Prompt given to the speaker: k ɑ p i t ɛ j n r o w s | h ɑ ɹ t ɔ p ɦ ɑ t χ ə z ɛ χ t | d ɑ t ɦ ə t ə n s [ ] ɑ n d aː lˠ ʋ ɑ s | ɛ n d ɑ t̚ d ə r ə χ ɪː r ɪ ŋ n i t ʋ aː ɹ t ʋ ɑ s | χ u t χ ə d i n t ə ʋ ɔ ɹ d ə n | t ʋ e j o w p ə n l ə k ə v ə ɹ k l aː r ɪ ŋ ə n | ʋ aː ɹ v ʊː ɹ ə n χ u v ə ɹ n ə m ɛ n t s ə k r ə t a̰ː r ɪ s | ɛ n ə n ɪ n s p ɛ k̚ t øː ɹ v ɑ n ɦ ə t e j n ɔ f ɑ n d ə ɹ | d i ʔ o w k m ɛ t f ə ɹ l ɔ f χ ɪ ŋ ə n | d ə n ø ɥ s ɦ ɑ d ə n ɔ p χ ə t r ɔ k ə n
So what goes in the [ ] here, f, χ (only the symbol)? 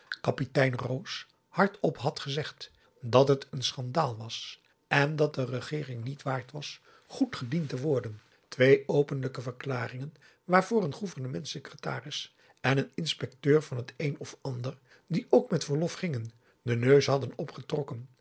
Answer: χ